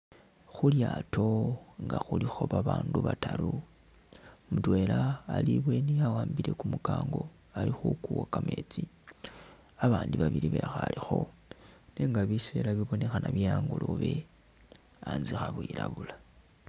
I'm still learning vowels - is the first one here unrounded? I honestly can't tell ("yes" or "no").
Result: no